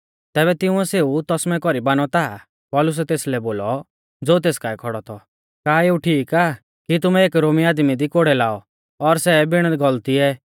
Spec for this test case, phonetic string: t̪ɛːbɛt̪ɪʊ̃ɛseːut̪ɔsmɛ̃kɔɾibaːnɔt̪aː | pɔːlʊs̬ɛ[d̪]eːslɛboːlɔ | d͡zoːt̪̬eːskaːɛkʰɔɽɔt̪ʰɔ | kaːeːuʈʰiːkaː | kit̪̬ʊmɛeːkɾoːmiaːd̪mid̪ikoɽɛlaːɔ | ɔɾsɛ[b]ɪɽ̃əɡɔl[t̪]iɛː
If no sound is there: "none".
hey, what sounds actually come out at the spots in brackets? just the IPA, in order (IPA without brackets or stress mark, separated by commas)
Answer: t̪, b, t̪